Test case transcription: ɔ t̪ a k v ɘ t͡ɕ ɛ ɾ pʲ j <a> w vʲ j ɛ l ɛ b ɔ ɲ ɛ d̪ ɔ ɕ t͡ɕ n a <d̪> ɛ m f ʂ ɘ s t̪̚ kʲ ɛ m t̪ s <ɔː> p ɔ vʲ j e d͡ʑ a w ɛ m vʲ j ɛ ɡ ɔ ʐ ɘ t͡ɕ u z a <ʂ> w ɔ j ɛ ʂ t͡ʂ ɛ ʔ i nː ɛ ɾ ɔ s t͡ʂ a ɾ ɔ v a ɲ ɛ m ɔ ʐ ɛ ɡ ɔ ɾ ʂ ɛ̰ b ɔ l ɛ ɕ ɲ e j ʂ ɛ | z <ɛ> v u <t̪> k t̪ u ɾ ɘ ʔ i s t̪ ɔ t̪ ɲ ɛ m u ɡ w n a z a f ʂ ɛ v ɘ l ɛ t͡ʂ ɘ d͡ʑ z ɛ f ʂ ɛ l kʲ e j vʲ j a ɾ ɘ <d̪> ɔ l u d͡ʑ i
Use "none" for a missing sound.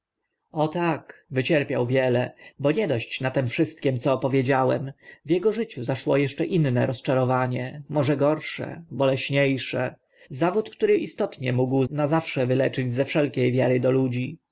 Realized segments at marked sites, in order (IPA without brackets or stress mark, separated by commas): a, t̪, ɔː, ʂ, a, t̪, d̪